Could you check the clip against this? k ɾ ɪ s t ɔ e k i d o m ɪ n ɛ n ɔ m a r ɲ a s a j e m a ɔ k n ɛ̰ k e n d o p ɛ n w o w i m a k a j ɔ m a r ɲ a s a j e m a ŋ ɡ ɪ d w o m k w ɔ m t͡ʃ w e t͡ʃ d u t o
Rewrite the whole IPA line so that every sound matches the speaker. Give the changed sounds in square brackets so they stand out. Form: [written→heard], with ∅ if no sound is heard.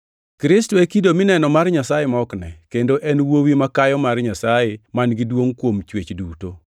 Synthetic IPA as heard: k ɾ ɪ s t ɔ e k i d o m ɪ n ɛ n ɔ m a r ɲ a s a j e m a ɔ k n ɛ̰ k e n d o [p→ʔ] ɛ n w o w i m a k a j ɔ m a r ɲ a s a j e m a [ŋ→n] ɡ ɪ d w o [m→ŋ] k w [ɔ→o] m t͡ʃ w e t͡ʃ d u t o